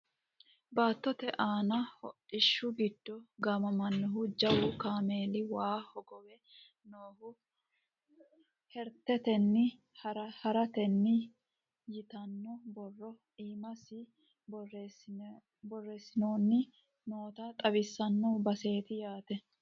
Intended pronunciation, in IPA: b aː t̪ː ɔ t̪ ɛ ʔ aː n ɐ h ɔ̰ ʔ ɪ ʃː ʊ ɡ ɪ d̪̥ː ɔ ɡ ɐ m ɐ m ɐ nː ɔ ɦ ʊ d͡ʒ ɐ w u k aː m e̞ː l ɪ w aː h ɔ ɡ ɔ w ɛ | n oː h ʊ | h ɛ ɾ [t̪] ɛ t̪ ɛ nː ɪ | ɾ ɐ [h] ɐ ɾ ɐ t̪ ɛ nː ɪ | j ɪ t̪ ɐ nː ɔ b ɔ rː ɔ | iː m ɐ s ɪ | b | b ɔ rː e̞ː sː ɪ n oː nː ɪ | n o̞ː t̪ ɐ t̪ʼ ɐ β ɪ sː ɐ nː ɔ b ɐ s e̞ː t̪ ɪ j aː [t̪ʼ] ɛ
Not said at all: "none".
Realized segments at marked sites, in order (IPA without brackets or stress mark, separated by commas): t̪, h, t̪